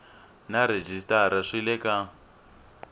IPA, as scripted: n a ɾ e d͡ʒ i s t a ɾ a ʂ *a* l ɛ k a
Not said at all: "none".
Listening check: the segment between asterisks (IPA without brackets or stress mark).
i